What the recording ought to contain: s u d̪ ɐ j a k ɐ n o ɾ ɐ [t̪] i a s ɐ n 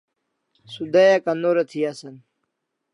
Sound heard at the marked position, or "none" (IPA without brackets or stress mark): t̪ʰ